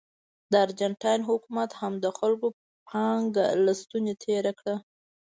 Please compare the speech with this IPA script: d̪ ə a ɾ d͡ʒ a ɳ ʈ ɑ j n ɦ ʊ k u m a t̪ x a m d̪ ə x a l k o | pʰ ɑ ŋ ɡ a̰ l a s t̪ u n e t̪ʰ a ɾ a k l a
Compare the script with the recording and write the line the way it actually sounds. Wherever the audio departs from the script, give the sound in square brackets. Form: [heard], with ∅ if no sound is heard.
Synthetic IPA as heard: d̪ ə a ɾ d͡ʒ a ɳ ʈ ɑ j n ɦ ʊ k u m a t̪ [h] a m d̪ ə x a l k o | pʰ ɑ ŋ ɡ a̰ l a s t̪ u n e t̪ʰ [e] ɾ a k [ɽ] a

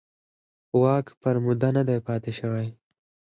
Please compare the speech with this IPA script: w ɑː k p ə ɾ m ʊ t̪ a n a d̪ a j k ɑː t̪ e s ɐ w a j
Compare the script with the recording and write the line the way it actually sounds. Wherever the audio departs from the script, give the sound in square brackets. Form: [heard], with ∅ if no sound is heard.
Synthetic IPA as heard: w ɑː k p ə ɾ m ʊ [d̪] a n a d̪ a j [p] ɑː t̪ e [ʃ] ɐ w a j

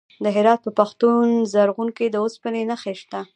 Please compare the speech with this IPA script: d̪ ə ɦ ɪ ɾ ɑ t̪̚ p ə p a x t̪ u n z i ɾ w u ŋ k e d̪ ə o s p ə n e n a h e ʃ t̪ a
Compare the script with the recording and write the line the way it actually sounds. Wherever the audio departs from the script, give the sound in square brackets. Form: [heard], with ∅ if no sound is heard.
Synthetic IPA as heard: d̪ ə ɦ ɪ ɾ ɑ t̪̚ p ə p a x t̪ u n z [a] ɾ [ɣ] u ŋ k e d̪ ə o s p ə n e n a [x] e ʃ t̪ a

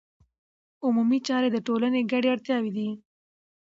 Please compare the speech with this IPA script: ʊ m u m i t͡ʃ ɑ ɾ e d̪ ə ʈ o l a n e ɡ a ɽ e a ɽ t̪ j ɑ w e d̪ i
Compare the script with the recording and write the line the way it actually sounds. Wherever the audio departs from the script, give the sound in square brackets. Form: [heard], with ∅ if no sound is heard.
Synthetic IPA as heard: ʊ m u m i t͡ʃ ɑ ɾ e d̪ ə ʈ o l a n e ɡ a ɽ e a ɽ t̪ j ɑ w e d̪ i

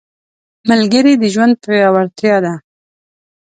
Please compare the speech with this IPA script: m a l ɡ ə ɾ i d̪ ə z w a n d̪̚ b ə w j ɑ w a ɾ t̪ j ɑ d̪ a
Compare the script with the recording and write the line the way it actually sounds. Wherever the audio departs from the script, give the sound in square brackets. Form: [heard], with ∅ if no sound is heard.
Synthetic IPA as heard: m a l ɡ ə ɾ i d̪ ə [ʒ] w a n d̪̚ [p] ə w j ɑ w a ɾ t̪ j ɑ d̪ a

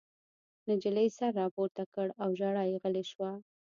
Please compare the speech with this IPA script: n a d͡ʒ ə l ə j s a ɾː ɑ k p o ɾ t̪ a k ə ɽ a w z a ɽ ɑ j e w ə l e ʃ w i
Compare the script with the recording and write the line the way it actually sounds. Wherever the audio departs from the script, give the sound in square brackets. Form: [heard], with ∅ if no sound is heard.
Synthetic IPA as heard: n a d͡ʒ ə l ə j s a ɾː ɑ [∅] p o ɾ t̪ a k ə ɽ a w [ʒ] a ɽ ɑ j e [ɣ] ə l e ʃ w [a]

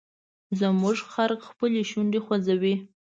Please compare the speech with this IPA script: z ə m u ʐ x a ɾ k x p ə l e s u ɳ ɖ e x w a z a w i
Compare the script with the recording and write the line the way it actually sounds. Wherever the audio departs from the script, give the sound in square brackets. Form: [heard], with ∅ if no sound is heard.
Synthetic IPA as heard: z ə m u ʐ x a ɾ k x p ə l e [ʃ] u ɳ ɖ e x w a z a w i

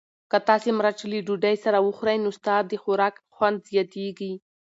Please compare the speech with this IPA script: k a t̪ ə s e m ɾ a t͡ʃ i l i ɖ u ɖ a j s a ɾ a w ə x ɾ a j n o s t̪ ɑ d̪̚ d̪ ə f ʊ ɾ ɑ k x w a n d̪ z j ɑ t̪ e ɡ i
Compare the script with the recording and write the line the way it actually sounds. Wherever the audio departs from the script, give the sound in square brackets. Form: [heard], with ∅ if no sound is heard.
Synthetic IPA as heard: k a t̪ [ɑ] s e m ɾ a t͡ʃ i l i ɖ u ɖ a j s a ɾ a w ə x ɾ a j n o s t̪ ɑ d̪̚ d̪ ə [x] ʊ ɾ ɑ k x w a n d̪ z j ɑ t̪ e ɡ i

